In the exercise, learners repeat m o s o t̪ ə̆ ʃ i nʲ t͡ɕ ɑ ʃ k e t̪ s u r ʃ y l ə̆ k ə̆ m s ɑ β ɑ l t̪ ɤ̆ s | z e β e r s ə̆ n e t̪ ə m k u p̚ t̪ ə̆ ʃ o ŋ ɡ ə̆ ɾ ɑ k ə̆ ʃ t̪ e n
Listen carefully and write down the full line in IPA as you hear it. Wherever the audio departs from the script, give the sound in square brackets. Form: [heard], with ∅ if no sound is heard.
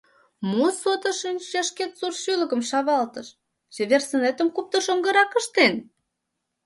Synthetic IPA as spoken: m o s o t̪ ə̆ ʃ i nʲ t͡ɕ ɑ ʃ k e t̪ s u r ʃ y l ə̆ k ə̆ m [ʃ] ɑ β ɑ l t̪ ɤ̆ [ʃ] | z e β e r s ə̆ n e t̪ ə m k u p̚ t̪ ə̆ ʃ o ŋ ɡ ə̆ ɾ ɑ k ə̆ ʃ t̪ e n